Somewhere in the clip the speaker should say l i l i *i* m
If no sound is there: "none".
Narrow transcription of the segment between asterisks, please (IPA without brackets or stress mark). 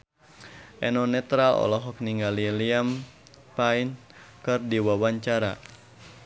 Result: a